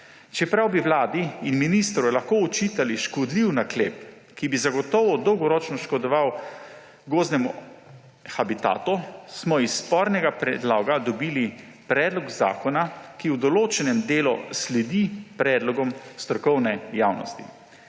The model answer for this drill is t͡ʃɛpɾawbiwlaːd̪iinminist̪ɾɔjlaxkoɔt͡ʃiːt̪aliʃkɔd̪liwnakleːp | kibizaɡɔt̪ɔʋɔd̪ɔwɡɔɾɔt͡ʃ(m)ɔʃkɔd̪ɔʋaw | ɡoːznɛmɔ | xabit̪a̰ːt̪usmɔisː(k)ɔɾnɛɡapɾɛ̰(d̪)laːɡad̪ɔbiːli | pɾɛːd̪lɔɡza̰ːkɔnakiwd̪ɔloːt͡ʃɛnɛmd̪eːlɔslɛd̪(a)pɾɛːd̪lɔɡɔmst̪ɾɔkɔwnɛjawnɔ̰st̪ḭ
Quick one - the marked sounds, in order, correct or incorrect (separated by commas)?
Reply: incorrect, incorrect, correct, incorrect